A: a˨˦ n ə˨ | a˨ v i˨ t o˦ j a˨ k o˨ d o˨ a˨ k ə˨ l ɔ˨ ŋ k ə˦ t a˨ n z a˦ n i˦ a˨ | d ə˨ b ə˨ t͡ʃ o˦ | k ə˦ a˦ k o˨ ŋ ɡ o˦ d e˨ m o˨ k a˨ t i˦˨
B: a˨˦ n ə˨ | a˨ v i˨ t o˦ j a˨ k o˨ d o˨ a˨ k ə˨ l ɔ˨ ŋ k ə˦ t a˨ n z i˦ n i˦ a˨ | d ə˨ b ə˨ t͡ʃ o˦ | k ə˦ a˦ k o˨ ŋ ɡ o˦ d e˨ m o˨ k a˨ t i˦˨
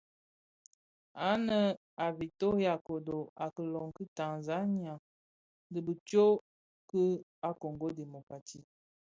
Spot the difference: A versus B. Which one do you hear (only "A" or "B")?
A